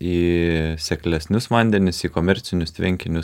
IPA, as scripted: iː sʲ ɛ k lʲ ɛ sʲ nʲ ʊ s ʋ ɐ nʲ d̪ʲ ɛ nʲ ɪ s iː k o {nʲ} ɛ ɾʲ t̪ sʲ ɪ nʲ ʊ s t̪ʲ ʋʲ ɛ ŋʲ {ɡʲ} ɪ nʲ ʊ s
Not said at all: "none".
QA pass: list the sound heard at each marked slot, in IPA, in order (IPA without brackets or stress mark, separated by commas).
mʲ, kʲ